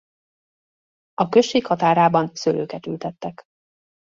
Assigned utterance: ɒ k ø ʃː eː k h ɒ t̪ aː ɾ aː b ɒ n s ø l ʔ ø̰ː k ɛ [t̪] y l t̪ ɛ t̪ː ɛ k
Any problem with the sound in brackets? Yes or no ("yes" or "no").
no